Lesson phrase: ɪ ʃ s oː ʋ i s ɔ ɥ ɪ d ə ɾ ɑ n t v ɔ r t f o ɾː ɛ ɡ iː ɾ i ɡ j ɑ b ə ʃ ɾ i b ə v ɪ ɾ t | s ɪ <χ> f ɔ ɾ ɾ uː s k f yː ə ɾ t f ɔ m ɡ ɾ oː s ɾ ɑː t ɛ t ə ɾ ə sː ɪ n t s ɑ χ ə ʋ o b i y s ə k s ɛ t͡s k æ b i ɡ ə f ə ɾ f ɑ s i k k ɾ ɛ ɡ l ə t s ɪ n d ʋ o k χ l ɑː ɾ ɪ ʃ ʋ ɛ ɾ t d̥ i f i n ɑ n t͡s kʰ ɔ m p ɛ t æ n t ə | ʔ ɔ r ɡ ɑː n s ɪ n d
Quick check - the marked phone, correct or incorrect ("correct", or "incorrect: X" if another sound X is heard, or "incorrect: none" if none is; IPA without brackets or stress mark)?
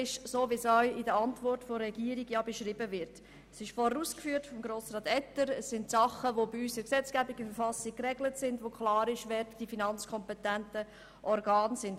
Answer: incorrect: ʃ